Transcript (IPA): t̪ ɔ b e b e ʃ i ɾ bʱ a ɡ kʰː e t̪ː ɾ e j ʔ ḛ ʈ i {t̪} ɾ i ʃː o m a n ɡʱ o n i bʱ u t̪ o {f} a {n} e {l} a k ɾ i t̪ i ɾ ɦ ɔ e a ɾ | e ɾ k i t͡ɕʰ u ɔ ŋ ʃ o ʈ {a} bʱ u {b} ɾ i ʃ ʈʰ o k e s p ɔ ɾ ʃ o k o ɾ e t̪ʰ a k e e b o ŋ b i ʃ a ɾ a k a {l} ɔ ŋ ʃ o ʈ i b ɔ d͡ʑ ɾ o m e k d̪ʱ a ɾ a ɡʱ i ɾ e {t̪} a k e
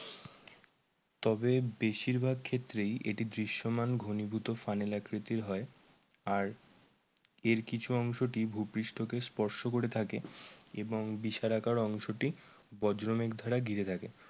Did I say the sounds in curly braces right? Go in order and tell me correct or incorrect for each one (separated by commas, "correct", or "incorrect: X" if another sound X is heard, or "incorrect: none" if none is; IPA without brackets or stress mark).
incorrect: d̪, correct, correct, correct, incorrect: i, incorrect: p, incorrect: ɾ, incorrect: t̪ʰ